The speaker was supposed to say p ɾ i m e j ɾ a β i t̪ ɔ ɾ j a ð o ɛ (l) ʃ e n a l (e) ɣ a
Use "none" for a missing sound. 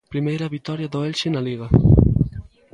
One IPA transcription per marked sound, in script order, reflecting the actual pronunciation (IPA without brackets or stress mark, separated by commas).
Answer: l, i